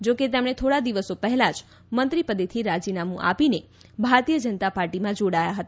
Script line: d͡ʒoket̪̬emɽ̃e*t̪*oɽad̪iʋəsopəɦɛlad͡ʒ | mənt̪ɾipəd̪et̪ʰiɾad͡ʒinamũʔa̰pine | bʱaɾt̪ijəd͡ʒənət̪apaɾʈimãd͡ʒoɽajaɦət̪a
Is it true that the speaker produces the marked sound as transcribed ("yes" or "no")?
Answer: no